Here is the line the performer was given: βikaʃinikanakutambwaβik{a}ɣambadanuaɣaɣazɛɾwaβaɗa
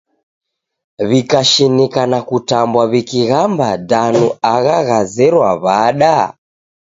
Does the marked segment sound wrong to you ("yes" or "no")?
yes